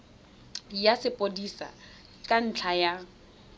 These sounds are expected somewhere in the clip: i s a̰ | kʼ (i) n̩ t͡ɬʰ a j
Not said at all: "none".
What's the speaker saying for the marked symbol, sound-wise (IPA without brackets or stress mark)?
a